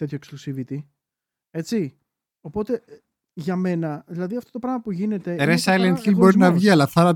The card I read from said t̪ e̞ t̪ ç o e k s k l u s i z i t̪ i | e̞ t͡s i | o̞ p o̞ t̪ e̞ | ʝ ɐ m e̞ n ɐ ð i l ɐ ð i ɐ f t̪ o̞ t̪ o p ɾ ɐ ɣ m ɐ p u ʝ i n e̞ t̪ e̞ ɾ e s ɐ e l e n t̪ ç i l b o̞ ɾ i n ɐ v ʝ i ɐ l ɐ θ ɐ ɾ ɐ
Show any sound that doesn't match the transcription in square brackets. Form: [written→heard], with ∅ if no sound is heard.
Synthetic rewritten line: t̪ e̞ t̪ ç o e k s k l u s i [z→v] i t̪ i | e̞ t͡s i | o̞ p o̞ t̪ e̞ | ʝ ɐ m e̞ n ɐ ð i l ɐ ð i ɐ f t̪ o̞ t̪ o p ɾ ɐ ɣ m ɐ p u ʝ i n e̞ t̪ e̞ ɾ e s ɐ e l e n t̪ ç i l b o̞ ɾ i n ɐ v ʝ i ɐ l ɐ θ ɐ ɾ ɐ